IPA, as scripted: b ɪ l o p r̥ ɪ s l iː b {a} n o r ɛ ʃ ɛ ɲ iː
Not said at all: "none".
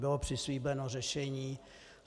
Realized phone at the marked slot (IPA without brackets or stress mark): ɛ